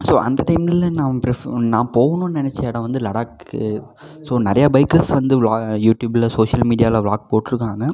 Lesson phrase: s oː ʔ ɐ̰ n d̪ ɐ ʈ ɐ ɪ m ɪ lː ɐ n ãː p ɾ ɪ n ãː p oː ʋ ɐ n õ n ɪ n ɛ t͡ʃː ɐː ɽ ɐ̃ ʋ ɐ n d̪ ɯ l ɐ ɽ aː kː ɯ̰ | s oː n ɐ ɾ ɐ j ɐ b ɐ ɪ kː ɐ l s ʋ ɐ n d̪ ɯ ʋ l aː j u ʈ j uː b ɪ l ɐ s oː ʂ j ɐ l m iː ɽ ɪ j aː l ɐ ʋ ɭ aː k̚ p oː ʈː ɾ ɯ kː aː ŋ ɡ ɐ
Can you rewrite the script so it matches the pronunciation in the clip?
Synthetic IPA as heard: s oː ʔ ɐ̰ n d̪ ɐ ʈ ɐ ɪ m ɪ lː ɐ n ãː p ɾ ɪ n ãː p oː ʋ ɐ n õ n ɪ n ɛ t͡ʃː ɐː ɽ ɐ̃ ʋ ɐ n d̪ ɯ l ɐ ɽ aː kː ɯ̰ | s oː n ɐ ɾ ɐ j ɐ b ɐ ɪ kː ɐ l s ʋ ɐ n d̪ ɯ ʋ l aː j uː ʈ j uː b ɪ l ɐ s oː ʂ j ɐ l m iː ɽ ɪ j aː l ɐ ʋ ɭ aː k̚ p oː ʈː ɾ ɯ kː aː ŋ ɡ ɐ

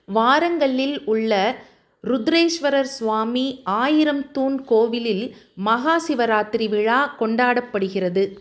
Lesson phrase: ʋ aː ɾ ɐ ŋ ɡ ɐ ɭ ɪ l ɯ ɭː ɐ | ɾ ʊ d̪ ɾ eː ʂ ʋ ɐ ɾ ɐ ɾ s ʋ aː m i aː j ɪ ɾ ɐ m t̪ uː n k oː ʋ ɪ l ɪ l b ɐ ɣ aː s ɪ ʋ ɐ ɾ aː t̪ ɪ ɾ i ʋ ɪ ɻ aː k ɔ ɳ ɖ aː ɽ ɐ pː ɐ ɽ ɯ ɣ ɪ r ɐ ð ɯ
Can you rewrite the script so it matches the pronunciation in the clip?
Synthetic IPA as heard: ʋ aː ɾ ɐ ŋ ɡ ɐ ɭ ɪ l ʊ ɭː ɐ | ɾ ʊ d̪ ɾ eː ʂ ʋ ɐ ɾ ɐ ɾ s ʋ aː m i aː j ɪ ɾ ɐ m t̪ uː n k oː ʋ ɪ l ɪ l m ɐ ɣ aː s ɪ ʋ ɐ ɾ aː t̪ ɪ ɾ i ʋ ɪ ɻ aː k ɔ ɳ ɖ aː ɽ ɐ pː ɐ ɽ ɯ ɣ ɪ r ɐ ð ɯ

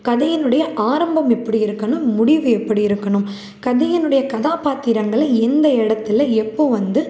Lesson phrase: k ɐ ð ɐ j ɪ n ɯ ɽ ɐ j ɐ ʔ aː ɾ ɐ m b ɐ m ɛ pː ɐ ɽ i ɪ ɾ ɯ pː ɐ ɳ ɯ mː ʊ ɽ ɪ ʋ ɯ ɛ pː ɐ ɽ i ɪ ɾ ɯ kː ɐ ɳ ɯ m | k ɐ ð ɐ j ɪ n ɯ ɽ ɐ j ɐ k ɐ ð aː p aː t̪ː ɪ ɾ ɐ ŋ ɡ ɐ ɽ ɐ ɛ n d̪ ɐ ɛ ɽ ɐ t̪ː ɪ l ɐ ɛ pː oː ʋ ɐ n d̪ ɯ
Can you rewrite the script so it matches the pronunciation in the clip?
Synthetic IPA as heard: k ɐ ð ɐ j ɪ n ɯ ɽ ɐ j ɐ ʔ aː ɾ ɐ m b ɐ m ɛ pː ɐ ɽ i ɪ ɾ ɯ kː ɐ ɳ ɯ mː ʊ ɽ ɪ ʋ ɯ ɛ pː ɐ ɽ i ɪ ɾ ɯ kː ɐ ɳ ɯ m | k ɐ ð ɐ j ɪ n ɯ ɽ ɐ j ɐ k ɐ ð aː p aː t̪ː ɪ ɾ ɐ ŋ ɡ ɐ ɭ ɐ ɛ n d̪ ɐ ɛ ɽ ɐ t̪ː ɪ l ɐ ɛ pː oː ʋ ɐ n d̪ ɯ

